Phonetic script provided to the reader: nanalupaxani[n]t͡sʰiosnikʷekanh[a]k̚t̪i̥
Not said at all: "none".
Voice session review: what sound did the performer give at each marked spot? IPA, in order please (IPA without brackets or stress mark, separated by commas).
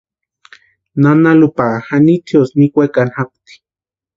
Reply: none, a